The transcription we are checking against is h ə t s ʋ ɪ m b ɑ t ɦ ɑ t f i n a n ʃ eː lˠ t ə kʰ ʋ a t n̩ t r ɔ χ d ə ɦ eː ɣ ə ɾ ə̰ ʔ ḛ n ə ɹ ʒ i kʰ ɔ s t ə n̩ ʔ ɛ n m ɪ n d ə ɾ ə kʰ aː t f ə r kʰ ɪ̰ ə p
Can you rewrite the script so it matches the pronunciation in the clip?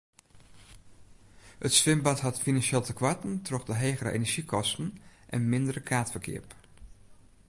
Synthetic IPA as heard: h ə t s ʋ ɪ m b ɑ t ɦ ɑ t f i n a n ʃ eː lˠ t ə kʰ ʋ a t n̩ t r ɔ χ d ə ɦ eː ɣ ə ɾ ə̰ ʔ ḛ n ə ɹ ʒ i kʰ ɔ s t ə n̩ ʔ ɛ n m ɪ n d ə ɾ ə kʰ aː t f ə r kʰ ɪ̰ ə p